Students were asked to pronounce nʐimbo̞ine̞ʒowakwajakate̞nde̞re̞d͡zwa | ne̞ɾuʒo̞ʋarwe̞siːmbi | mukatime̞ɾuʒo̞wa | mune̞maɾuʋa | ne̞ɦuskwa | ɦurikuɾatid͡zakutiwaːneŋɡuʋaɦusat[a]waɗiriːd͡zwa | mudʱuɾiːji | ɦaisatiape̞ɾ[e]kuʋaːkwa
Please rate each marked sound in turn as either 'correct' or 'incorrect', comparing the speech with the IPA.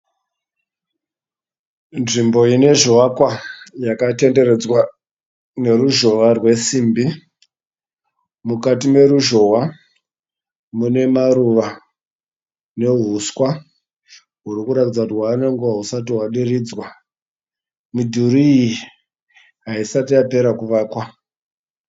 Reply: incorrect: i, incorrect: a

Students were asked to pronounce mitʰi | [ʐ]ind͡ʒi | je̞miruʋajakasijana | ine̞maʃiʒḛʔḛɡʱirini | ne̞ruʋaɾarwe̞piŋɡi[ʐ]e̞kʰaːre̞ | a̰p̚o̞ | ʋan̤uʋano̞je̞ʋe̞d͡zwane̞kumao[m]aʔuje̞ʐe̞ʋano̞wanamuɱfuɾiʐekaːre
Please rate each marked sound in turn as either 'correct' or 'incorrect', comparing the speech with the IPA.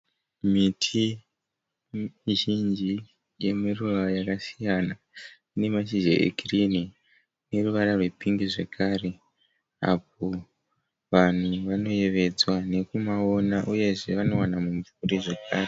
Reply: incorrect: ʒ, correct, incorrect: n

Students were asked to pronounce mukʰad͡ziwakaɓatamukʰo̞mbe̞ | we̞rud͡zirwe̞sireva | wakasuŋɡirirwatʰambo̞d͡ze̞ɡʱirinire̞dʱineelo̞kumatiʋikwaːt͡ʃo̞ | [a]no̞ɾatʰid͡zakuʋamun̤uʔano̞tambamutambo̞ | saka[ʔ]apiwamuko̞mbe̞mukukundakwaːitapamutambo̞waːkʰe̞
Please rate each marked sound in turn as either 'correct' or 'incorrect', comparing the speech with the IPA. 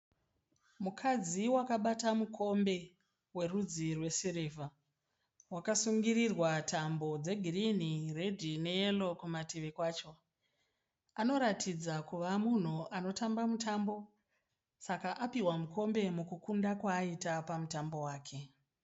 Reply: correct, correct

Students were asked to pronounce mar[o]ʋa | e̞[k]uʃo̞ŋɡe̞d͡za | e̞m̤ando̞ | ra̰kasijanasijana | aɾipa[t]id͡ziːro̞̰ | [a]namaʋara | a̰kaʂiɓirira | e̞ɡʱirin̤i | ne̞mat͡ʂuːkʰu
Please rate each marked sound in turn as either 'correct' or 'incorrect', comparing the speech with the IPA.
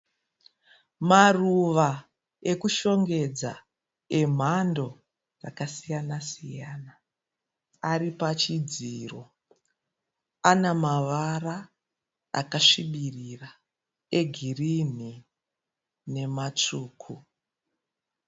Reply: incorrect: u, correct, incorrect: t͡ʃ, correct

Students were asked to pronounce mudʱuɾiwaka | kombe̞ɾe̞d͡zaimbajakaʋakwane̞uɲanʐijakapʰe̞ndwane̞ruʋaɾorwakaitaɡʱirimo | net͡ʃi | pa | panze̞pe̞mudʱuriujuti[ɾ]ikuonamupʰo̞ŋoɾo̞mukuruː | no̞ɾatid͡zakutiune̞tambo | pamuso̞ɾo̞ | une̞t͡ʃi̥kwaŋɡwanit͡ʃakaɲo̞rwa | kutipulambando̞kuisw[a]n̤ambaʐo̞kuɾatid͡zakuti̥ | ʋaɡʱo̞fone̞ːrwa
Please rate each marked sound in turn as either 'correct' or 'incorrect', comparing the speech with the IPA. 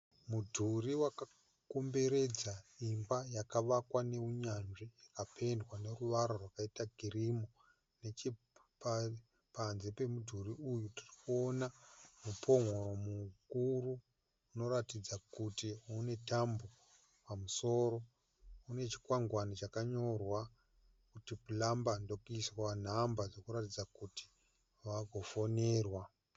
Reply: incorrect: r, correct

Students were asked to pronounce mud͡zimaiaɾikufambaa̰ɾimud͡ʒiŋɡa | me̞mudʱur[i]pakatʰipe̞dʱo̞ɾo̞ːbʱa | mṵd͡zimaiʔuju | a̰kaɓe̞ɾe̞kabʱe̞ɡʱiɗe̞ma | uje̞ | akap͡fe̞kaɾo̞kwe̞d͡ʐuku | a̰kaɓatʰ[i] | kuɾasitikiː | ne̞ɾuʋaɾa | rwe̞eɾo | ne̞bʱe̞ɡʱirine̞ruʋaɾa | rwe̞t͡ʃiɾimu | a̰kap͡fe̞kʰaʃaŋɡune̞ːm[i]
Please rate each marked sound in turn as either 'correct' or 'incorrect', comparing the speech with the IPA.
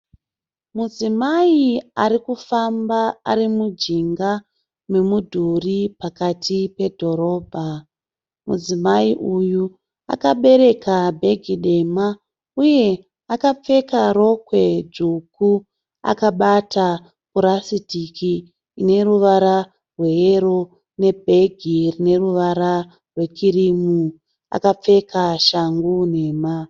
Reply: correct, incorrect: a, incorrect: a

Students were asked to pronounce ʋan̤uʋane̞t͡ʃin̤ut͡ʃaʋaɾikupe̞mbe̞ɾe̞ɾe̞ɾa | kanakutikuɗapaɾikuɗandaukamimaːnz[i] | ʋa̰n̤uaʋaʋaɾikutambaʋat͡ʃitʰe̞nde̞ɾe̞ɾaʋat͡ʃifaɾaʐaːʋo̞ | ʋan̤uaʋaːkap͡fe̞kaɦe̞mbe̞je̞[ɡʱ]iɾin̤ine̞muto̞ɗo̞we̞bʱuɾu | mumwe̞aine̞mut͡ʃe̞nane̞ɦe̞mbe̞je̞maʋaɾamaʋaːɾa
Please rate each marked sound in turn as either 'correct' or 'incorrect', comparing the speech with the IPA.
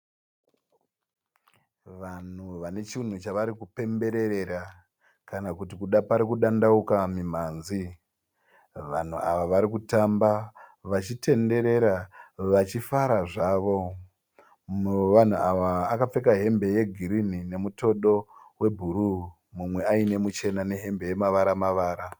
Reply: correct, correct

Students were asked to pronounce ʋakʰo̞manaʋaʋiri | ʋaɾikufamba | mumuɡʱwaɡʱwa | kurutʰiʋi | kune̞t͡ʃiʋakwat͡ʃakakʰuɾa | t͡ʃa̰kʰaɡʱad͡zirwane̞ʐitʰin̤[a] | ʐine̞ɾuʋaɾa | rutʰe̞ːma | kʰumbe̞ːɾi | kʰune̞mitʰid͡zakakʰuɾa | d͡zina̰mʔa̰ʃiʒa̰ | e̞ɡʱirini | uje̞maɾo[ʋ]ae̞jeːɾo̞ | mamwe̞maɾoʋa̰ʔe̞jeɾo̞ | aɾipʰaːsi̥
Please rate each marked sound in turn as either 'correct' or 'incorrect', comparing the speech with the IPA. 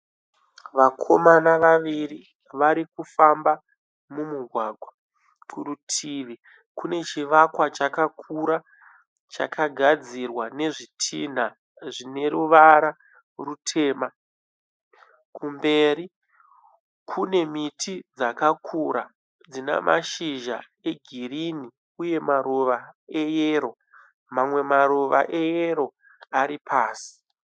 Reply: correct, correct

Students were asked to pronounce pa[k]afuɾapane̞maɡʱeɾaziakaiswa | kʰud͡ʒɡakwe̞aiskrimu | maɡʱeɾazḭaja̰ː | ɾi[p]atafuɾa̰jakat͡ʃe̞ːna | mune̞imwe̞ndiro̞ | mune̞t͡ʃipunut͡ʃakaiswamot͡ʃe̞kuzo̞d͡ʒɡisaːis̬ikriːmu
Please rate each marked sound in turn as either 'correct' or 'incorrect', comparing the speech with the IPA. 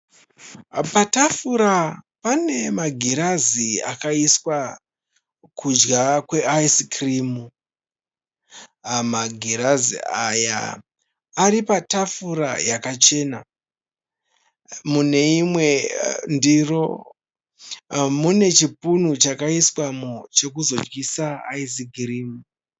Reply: incorrect: t, correct

